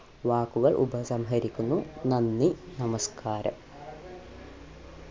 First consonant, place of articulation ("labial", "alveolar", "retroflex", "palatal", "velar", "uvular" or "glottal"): labial